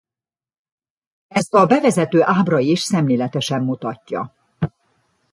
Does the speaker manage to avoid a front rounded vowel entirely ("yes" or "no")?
no